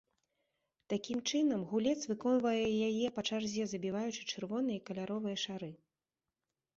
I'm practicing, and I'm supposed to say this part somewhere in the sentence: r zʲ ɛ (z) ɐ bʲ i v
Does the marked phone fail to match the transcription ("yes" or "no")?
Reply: no